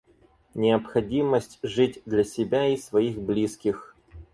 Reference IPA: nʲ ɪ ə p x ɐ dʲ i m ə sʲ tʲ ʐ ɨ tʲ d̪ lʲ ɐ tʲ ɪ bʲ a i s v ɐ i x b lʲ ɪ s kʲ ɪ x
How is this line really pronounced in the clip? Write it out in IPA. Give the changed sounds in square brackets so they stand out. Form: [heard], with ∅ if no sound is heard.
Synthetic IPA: nʲ ɪ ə p x ɐ dʲ i m ə sʲ tʲ ʐ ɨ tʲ d̪ lʲ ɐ [sʲ] ɪ bʲ a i s v ɐ i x b lʲ [i] s kʲ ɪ x